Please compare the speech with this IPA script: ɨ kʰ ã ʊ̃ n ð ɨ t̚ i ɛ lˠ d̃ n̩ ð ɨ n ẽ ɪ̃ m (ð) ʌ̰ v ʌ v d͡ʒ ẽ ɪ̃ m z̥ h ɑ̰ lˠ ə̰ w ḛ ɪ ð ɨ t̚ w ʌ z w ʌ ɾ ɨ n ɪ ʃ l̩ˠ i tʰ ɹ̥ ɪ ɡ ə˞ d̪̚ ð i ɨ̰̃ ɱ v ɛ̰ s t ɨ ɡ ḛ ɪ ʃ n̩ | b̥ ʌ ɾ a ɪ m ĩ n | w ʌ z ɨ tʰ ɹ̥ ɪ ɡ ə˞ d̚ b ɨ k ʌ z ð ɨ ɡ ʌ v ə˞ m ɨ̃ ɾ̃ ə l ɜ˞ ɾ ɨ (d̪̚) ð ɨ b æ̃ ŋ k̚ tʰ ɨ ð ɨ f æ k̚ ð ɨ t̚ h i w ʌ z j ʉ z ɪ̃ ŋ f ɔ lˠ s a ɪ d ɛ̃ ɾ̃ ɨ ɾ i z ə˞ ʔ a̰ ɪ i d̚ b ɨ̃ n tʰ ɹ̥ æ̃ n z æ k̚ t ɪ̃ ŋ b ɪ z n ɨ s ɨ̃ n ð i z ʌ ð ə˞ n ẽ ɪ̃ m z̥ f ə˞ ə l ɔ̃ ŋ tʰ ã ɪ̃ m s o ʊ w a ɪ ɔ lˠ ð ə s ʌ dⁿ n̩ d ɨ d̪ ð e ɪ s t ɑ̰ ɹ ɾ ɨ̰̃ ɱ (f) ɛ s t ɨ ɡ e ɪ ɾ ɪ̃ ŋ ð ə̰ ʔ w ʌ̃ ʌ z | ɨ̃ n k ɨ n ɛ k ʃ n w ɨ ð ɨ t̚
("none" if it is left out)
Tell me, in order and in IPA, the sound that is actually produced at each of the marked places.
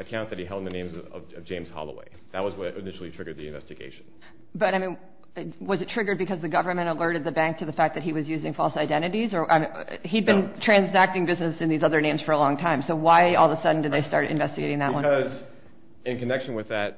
z, d̪̚, v

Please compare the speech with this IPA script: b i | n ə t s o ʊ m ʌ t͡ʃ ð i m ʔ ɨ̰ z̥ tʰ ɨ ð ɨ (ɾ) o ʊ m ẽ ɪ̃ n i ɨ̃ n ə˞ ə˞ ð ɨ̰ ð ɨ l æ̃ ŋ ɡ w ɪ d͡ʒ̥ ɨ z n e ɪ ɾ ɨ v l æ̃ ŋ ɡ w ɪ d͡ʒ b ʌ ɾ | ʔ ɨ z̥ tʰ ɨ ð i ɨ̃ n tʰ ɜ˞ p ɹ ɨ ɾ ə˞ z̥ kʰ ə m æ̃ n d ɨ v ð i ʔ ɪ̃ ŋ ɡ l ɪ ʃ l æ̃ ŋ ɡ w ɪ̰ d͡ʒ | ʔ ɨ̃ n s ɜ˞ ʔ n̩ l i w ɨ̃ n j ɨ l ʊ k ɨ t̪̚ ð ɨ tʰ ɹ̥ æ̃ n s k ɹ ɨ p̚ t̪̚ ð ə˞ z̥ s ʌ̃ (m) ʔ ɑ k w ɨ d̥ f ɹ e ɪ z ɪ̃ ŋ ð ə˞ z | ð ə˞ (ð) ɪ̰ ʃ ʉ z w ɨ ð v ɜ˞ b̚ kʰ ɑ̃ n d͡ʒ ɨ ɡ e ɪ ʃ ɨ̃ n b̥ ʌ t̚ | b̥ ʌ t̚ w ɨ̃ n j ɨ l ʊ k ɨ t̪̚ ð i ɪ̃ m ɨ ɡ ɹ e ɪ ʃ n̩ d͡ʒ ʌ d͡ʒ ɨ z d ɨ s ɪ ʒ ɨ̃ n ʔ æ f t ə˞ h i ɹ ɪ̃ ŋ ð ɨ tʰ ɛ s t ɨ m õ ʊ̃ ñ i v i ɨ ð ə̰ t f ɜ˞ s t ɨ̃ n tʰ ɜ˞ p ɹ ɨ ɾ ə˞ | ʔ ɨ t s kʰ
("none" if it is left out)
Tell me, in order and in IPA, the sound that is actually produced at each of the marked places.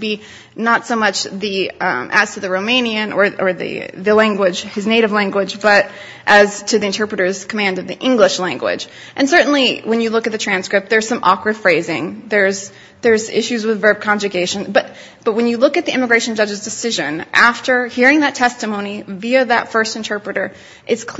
ɹ, m, z

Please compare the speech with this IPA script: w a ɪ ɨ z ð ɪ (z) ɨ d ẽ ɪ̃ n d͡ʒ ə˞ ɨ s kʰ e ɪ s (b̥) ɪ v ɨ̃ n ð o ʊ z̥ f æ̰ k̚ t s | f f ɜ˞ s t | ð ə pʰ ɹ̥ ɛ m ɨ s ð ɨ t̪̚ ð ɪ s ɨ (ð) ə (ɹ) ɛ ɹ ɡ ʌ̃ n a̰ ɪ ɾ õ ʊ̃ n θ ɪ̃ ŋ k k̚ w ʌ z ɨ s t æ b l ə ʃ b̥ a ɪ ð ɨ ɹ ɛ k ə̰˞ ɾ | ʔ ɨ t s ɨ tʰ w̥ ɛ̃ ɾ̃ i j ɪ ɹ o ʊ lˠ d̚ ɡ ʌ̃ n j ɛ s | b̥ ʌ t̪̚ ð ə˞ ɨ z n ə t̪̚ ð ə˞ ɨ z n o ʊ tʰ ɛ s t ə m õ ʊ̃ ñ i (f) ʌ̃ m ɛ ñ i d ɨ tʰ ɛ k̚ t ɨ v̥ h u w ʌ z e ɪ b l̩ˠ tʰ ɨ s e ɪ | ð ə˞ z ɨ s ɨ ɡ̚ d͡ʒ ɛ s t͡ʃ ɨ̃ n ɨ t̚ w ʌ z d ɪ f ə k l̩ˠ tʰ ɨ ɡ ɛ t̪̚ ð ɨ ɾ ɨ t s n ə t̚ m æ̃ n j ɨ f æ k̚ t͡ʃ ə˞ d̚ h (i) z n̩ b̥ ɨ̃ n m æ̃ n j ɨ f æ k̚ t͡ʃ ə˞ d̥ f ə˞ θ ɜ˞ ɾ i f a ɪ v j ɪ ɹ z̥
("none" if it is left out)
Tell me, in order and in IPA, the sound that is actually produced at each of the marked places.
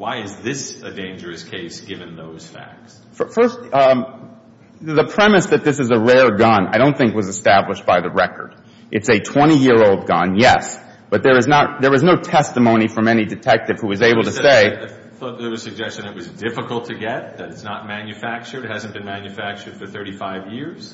s, ɡ̥, z, ɹ, f, æ

